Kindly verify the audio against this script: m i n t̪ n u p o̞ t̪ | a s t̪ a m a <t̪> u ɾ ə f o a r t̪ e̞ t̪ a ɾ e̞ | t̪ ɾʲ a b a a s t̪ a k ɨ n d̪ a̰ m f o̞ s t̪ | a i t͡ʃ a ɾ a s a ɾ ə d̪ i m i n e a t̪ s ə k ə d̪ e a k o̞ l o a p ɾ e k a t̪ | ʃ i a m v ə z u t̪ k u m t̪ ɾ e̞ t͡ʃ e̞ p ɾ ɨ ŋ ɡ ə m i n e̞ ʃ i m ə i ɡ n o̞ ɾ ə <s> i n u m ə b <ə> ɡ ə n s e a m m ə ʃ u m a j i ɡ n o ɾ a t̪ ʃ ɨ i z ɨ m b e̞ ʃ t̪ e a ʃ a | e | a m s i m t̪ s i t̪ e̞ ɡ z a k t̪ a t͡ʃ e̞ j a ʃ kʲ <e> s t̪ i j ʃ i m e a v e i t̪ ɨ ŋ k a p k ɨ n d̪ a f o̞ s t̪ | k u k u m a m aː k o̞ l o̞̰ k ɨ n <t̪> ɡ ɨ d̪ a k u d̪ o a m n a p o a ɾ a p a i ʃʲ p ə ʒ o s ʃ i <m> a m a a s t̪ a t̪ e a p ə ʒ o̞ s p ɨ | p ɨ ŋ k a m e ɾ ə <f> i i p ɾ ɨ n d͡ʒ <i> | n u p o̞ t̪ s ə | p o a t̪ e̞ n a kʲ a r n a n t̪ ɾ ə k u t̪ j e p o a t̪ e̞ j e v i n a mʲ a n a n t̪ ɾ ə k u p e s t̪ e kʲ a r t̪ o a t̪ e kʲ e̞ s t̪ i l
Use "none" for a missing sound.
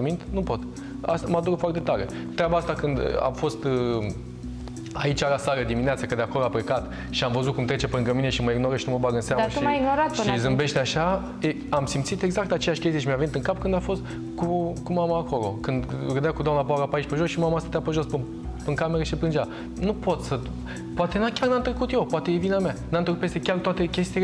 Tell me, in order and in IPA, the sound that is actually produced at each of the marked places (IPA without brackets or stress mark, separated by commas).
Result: d̪, ʃ, a, e, d̪, m, ʃ, a